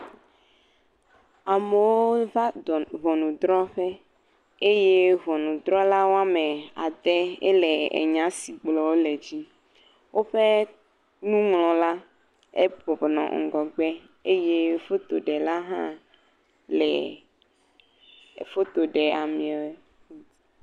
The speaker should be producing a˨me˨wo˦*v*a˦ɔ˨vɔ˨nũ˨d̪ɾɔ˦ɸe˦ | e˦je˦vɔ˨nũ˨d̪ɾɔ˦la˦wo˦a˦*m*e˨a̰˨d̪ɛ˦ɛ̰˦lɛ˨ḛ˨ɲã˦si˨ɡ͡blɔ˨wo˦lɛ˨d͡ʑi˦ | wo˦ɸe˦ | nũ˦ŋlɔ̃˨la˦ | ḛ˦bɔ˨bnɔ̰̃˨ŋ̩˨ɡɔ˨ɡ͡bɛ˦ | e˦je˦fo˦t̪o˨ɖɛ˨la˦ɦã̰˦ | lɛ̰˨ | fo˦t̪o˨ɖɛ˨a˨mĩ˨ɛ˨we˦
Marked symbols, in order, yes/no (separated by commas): yes, yes